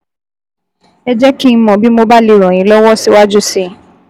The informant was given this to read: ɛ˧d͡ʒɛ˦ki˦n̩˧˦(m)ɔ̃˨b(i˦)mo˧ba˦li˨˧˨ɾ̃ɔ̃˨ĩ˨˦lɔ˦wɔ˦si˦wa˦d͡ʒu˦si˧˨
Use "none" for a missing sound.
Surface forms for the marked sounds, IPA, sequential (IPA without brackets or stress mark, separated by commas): m, i˦